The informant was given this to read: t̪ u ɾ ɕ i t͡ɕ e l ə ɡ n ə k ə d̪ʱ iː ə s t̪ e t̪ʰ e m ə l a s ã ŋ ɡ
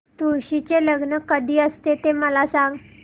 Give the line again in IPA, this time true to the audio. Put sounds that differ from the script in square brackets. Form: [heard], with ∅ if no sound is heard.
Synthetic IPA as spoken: t̪ u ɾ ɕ i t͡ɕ e l ə ɡ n ə k ə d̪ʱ iː ə s t̪ e [t̪] e m ə l a s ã ŋ ɡ